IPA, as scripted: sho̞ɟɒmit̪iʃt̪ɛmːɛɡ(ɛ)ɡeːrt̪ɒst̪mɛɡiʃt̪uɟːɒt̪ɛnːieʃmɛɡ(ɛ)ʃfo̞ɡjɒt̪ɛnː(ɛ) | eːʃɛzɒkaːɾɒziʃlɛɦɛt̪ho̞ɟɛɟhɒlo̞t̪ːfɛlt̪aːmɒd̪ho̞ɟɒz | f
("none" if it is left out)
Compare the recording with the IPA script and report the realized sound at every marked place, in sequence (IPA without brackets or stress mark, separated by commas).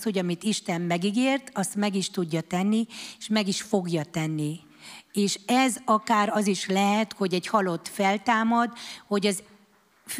i, i, i